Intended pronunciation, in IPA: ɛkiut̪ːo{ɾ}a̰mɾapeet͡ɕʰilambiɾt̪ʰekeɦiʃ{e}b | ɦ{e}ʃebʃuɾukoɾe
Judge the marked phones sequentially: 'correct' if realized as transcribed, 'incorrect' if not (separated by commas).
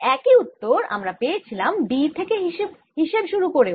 correct, correct, incorrect